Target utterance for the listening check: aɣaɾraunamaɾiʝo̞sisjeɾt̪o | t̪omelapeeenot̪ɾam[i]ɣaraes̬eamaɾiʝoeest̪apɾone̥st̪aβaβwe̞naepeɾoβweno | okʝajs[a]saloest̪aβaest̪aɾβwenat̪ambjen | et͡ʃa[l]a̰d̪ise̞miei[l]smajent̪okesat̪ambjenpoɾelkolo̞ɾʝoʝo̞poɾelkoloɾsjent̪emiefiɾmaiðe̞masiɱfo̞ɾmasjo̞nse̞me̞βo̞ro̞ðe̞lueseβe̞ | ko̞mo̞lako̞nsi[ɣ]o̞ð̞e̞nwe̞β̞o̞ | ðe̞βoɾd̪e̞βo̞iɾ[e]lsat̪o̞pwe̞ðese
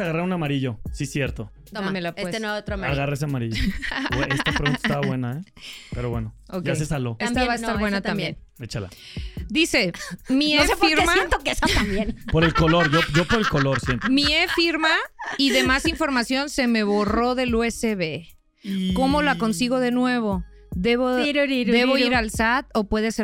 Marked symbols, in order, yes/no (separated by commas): no, no, yes, no, yes, no